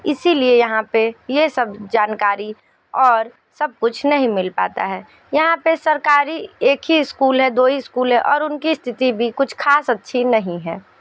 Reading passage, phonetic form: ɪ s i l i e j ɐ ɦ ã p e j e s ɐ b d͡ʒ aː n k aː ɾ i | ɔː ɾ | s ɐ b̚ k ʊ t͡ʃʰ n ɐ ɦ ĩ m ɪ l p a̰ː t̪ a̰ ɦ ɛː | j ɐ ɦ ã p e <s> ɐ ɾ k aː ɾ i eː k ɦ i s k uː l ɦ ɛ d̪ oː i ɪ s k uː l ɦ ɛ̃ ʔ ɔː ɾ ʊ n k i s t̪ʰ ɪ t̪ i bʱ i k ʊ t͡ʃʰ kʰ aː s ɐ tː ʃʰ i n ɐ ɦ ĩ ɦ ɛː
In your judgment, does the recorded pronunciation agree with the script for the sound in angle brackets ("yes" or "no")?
yes